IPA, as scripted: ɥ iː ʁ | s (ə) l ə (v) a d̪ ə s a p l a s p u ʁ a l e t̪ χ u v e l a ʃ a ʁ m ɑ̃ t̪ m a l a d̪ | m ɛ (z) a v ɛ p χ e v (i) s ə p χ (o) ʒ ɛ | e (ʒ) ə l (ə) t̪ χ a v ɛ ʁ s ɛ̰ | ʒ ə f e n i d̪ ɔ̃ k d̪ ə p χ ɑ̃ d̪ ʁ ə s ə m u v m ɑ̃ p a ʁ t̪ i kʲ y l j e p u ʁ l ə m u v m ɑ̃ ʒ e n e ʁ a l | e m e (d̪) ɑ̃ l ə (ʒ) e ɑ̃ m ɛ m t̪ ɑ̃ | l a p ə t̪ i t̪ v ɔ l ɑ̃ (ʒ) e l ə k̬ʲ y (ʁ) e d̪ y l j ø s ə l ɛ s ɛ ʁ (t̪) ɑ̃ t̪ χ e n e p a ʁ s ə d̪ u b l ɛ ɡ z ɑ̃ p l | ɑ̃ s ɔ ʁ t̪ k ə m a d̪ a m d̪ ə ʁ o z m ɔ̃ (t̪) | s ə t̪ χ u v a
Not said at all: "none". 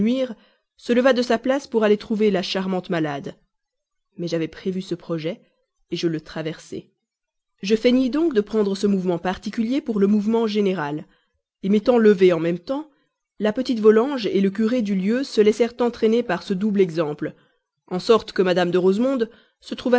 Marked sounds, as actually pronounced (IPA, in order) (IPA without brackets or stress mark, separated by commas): ə, v, ʒ, y, ɔ, ʒ, ə, t̪, v, ʒ, ʁ, t̪, d̪